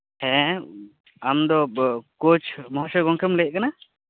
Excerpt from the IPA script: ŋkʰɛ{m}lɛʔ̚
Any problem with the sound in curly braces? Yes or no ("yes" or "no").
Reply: no